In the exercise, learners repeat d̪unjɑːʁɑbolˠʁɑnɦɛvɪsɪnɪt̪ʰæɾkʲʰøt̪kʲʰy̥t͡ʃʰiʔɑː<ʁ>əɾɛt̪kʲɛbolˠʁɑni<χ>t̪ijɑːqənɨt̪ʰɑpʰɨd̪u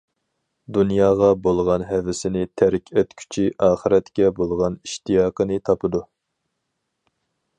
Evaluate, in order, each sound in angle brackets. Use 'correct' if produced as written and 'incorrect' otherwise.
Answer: incorrect, incorrect

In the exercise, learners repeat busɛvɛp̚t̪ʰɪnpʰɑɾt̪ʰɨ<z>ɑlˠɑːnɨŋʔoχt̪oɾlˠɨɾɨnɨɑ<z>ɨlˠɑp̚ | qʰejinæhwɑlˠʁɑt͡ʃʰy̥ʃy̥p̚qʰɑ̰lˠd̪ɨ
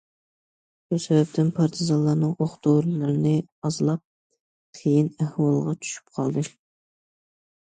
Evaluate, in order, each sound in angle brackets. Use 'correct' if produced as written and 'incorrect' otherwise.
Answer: correct, correct

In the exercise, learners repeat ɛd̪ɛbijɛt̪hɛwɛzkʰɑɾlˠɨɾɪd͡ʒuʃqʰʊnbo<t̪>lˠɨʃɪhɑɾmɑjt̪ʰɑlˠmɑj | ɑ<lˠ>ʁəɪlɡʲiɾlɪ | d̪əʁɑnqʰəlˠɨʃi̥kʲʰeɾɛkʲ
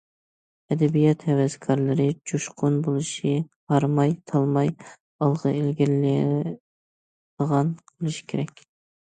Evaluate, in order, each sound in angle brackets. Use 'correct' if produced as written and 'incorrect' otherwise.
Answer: incorrect, correct

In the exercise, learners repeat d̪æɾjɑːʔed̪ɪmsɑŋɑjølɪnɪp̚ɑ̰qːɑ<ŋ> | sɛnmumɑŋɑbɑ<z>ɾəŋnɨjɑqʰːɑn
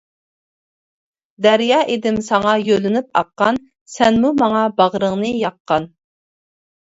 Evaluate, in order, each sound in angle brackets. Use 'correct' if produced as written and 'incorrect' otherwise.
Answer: incorrect, incorrect

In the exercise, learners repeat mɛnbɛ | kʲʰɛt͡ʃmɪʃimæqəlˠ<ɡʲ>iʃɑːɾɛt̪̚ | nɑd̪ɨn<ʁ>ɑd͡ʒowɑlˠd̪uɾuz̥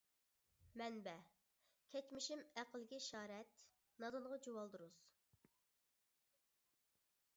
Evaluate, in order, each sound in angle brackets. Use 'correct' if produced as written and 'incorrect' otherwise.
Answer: correct, correct

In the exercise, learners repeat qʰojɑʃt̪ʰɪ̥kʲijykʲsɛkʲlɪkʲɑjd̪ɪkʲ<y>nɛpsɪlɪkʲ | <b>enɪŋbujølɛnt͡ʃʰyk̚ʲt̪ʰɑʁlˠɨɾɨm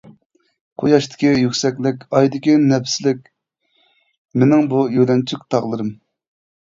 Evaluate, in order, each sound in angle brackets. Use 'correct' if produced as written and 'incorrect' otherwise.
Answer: incorrect, incorrect

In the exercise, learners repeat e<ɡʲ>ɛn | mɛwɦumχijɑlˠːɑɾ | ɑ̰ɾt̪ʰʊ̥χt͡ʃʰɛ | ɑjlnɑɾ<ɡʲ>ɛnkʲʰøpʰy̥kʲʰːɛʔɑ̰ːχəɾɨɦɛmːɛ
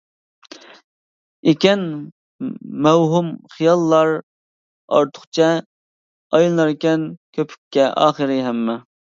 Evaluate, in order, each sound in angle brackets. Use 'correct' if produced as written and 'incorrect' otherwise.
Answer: incorrect, incorrect

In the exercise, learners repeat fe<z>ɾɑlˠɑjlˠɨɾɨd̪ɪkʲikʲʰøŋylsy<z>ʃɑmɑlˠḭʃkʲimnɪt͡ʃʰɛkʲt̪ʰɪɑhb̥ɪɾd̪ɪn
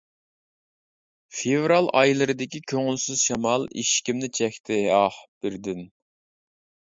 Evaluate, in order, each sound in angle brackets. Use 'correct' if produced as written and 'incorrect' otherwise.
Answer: incorrect, correct

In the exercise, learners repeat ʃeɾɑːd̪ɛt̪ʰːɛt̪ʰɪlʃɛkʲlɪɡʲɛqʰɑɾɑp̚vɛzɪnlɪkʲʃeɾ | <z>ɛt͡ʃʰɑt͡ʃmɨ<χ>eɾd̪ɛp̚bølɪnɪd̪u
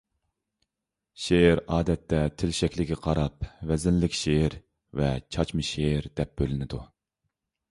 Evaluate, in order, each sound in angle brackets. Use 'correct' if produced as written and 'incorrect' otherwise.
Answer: incorrect, incorrect

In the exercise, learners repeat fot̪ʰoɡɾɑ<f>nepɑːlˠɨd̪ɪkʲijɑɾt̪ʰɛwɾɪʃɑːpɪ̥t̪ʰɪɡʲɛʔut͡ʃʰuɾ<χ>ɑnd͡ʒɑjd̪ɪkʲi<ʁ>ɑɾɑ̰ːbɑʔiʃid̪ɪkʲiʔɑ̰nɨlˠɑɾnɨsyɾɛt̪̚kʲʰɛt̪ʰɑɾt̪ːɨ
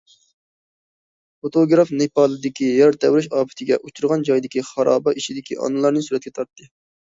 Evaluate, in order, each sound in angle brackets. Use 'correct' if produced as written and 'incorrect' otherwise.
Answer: correct, incorrect, incorrect

